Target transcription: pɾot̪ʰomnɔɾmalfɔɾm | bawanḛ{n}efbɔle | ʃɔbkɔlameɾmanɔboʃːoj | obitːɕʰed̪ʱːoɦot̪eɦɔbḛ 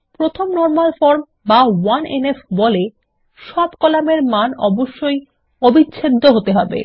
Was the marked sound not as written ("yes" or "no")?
no